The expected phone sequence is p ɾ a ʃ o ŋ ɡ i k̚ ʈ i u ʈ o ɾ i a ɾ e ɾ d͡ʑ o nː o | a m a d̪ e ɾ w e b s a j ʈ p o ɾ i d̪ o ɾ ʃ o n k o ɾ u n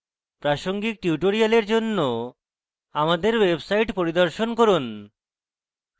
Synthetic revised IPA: p ɾ a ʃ o ŋ ɡ i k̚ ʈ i u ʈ o ɾ i a l e ɾ d͡ʑ o nː o | a m a d̪ e ɾ w e b s a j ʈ p o ɾ i d̪ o ɾ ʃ o n k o ɾ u n